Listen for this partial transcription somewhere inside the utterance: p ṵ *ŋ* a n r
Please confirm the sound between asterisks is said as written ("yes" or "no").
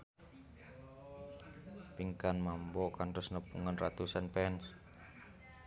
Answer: yes